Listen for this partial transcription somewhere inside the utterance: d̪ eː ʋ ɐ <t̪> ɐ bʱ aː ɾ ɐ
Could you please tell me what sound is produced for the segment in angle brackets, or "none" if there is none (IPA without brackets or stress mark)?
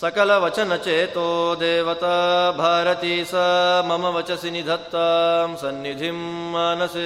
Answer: t̪